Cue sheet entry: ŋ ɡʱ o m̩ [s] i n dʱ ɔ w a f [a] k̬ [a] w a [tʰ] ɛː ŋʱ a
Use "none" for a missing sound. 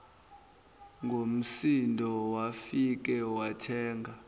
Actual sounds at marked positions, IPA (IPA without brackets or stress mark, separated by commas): s, i, ɛ, tʰ